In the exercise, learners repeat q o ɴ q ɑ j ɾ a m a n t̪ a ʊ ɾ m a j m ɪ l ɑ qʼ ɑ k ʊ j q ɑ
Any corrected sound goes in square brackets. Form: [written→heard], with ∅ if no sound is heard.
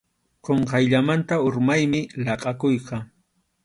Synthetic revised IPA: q o ɴ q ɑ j [ɾ→ʎ] a m a n t̪ a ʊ ɾ m a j m ɪ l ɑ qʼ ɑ k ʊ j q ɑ